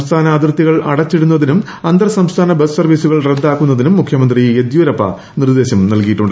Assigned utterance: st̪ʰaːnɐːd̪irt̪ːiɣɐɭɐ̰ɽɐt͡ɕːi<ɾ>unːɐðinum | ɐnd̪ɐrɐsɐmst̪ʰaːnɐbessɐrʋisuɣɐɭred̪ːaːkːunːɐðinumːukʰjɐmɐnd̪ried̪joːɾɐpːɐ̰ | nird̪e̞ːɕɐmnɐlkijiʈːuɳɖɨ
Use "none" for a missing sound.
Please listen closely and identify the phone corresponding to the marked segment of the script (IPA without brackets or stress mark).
ɽ